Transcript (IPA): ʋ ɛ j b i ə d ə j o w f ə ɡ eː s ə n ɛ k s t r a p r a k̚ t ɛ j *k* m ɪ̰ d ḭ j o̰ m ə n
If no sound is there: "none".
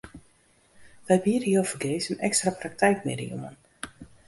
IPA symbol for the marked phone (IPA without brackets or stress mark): k